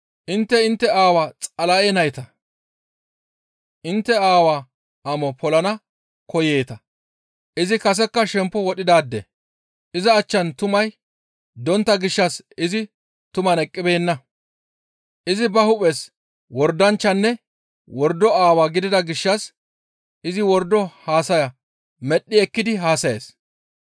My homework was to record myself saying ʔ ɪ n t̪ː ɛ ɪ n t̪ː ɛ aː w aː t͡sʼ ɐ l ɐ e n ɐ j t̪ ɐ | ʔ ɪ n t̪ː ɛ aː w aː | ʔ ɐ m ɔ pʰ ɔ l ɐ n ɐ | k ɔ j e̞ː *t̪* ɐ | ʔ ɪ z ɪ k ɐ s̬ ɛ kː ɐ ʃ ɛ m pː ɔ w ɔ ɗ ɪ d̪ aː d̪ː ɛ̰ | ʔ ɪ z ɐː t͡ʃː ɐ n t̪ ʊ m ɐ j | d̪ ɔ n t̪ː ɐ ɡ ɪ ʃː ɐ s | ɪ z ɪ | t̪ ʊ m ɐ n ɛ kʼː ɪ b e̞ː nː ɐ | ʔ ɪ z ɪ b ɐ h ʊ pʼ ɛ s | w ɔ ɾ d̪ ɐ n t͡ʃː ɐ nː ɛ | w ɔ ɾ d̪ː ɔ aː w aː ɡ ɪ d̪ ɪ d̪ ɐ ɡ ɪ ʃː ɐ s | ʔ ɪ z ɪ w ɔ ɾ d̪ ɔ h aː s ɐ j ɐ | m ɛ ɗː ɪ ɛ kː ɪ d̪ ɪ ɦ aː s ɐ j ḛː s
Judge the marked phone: correct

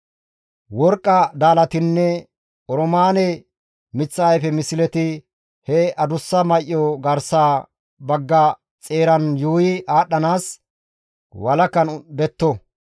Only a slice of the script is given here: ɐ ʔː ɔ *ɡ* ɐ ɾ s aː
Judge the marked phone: correct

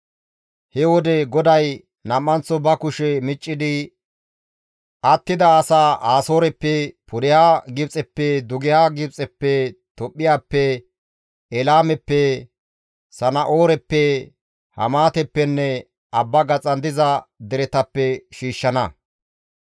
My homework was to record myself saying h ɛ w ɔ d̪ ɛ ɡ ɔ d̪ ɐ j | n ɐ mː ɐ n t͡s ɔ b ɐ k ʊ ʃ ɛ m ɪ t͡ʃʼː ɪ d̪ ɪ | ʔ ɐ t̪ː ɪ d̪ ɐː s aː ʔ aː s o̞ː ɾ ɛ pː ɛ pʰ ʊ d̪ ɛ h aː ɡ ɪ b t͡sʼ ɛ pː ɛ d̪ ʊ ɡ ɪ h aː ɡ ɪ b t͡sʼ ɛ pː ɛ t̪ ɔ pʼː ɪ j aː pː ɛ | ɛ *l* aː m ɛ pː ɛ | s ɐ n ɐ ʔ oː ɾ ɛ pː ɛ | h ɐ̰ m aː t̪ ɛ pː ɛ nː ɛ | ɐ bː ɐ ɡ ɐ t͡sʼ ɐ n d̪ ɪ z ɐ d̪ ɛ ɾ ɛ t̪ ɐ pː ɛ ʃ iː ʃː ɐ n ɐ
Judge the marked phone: correct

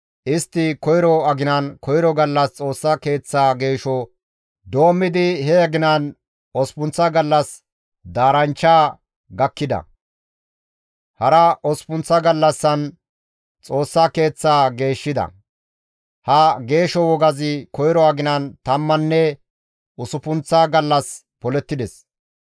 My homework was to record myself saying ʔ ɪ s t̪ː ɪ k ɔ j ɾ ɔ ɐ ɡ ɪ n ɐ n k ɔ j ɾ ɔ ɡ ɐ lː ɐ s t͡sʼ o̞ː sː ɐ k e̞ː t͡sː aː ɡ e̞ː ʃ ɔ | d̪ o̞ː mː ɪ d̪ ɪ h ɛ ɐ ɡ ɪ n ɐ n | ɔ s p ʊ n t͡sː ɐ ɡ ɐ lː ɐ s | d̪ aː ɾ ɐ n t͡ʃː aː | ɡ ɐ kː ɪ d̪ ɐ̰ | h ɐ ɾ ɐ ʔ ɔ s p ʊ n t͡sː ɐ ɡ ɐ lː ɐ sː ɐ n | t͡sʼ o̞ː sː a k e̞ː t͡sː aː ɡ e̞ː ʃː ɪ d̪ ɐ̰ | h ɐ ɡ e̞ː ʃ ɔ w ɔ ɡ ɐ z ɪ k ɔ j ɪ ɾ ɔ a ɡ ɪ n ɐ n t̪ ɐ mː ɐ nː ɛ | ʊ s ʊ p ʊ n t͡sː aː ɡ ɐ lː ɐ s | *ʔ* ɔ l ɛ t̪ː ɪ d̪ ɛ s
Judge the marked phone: incorrect: p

